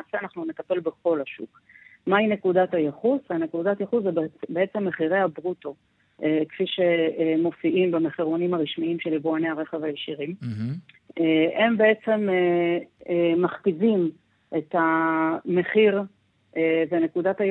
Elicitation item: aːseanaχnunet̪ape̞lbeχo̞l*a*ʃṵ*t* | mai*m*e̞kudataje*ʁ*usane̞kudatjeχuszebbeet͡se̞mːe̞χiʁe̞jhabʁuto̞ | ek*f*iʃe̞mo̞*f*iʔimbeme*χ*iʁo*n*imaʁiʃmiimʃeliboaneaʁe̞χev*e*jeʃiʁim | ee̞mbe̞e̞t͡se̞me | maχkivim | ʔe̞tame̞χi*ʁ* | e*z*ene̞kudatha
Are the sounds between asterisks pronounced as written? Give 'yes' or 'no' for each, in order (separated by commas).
yes, no, no, no, yes, yes, yes, yes, no, yes, no